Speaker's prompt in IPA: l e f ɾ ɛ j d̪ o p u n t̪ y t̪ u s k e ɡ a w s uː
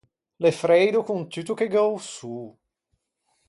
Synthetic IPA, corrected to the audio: l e f ɾ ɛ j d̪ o k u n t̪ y t̪ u k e ɡ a w s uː